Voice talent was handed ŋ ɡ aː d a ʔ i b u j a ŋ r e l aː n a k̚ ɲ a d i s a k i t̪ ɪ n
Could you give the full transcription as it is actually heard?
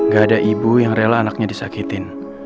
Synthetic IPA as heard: ŋ ɡ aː d a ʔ i b u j a ŋ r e l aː n a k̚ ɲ a d i s a k i t̪ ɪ n